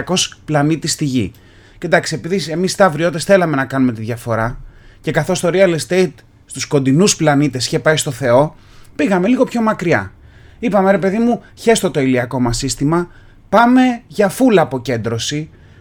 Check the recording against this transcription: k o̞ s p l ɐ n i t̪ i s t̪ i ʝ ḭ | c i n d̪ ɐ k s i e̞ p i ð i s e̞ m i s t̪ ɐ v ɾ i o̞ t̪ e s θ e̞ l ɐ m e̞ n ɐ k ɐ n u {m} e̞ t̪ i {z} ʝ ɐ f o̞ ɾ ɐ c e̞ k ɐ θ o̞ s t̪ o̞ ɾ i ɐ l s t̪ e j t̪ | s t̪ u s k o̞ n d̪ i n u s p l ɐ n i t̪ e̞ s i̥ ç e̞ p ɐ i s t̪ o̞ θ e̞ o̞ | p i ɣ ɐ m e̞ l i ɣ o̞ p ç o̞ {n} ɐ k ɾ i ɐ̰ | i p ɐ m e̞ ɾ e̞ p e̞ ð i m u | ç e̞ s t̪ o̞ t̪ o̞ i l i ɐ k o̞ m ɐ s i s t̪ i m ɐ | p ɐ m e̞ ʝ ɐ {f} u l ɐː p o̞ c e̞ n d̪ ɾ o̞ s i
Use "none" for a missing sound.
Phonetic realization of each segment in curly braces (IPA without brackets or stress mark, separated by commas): m, ð, m, f